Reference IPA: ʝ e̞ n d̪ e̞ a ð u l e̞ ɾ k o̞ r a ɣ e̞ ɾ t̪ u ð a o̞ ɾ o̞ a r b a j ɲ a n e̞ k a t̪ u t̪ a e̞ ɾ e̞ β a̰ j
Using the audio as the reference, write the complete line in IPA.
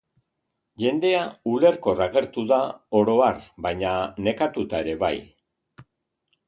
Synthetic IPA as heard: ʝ e̞ n d̪ e̞ a u l e̞ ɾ k o̞ r a ɣ e̞ ɾ t̪ u ð a o̞ ɾ o̞ a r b a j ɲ a n e̞ k a t̪ u t̪ a e̞ ɾ e̞ β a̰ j